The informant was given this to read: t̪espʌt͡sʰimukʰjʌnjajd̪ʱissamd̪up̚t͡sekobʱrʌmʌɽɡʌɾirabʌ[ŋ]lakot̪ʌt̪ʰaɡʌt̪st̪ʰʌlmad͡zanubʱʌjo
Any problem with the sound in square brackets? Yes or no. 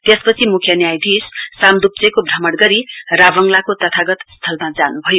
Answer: no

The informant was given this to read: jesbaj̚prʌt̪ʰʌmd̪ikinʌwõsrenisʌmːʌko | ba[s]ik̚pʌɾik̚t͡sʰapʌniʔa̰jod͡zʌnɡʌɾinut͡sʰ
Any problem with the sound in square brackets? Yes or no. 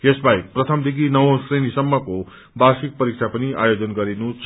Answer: no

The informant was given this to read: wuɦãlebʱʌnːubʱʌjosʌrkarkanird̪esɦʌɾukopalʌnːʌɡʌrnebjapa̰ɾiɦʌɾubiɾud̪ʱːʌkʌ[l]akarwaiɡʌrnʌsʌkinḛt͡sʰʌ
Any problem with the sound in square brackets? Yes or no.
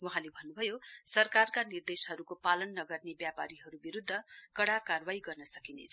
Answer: yes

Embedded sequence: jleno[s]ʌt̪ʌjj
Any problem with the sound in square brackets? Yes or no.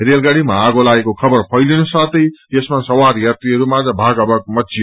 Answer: no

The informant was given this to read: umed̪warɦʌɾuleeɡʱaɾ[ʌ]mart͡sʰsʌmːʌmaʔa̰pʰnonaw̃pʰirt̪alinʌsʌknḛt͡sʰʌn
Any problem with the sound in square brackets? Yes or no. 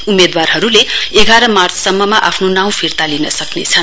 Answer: no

